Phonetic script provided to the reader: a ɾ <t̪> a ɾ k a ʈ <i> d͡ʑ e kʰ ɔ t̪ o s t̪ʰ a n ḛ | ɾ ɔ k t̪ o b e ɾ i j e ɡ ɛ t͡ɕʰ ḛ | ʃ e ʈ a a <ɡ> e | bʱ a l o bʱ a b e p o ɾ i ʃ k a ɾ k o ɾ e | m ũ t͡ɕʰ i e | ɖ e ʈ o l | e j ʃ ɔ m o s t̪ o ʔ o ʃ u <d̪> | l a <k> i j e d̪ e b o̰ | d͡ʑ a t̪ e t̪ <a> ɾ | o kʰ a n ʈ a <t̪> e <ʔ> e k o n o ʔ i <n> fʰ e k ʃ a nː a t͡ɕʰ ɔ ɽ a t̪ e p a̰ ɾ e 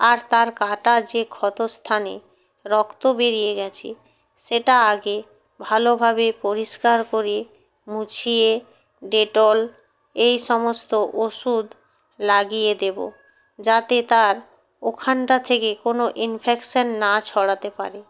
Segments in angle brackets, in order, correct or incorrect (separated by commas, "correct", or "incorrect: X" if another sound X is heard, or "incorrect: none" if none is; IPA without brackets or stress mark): correct, incorrect: a, correct, correct, incorrect: ɡ, correct, incorrect: t̪ʰ, incorrect: k, correct